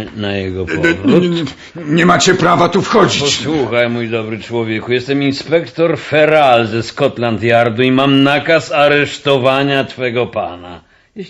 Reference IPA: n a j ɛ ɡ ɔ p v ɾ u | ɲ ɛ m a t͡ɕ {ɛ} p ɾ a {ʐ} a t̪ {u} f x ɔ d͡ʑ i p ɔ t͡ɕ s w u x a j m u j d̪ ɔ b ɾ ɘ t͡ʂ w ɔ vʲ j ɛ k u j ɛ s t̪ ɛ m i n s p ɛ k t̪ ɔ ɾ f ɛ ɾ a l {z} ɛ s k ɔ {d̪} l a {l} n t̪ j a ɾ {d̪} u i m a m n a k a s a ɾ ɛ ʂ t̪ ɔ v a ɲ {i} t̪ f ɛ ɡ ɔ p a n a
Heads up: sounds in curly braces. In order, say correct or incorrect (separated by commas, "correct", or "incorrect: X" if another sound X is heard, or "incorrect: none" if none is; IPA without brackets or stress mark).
correct, incorrect: v, correct, correct, incorrect: t̪, incorrect: none, correct, incorrect: a